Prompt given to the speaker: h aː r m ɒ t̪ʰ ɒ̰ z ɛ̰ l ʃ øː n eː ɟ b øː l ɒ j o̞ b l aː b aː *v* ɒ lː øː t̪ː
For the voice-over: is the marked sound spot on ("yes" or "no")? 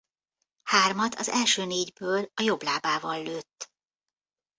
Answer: yes